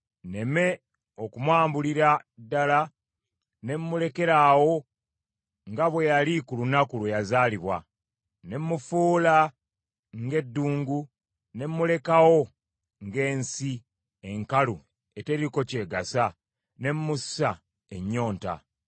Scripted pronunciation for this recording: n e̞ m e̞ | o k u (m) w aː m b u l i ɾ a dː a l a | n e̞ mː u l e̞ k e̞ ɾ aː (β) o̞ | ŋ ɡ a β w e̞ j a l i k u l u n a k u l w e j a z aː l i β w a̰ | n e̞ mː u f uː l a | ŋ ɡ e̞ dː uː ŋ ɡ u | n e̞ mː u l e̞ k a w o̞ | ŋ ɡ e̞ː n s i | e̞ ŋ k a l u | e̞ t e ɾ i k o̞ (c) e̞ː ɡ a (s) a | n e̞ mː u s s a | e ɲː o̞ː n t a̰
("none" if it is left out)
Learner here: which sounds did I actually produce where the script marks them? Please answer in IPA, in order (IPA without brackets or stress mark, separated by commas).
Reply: m, w, c, s